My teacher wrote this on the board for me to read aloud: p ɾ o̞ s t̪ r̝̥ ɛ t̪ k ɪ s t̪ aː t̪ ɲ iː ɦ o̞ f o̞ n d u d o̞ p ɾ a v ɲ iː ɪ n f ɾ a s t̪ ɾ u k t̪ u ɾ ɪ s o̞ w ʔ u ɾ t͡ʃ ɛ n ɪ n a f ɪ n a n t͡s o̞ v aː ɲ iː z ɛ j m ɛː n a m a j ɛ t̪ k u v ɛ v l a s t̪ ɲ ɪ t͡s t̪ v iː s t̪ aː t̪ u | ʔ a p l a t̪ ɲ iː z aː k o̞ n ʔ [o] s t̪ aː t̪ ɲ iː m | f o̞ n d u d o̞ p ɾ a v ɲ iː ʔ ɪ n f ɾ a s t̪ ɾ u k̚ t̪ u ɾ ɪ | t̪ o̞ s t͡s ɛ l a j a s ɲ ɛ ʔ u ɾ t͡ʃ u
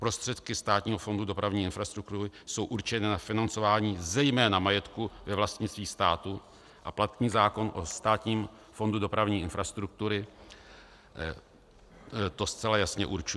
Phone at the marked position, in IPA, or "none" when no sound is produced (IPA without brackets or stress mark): o